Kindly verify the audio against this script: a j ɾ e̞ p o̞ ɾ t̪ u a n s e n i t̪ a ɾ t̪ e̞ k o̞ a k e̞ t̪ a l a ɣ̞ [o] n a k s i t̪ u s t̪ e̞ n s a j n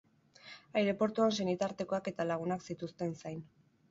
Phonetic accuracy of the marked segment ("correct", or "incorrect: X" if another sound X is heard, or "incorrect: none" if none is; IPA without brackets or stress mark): incorrect: u